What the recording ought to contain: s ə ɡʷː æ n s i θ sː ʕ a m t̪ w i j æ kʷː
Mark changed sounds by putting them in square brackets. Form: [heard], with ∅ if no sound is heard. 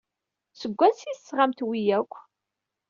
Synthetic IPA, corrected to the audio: s ə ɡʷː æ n s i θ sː [ʁ] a m t̪ w i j æ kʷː